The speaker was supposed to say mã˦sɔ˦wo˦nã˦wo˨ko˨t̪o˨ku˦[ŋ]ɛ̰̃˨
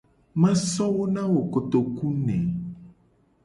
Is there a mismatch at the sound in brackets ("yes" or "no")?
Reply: yes